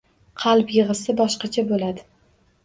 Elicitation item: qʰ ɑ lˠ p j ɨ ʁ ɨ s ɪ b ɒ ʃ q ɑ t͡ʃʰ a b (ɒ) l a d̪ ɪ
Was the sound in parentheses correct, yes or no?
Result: no